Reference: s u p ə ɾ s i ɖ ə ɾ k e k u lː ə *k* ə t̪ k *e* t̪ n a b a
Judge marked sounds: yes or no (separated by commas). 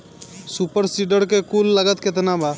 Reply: no, yes